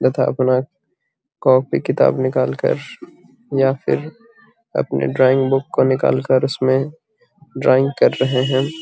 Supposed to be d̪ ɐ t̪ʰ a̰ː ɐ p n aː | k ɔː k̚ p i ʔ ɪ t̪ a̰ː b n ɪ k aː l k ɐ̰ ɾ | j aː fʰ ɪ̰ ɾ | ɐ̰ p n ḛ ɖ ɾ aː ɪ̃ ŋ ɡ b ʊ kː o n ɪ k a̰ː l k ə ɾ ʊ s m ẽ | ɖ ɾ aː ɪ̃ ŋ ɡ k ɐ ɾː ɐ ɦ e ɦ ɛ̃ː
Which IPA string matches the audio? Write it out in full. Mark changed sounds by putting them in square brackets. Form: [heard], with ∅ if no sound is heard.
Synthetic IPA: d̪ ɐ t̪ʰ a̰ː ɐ p n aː | k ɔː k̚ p i [k] ɪ t̪ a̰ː b n ɪ k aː l k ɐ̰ ɾ | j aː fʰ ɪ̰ ɾ | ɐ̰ p n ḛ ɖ ɾ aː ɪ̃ ŋ ɡ b ʊ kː o n ɪ k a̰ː l k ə ɾ ʊ s m ẽ | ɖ ɾ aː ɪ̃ ŋ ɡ k ɐ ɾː ɐ ɦ e ɦ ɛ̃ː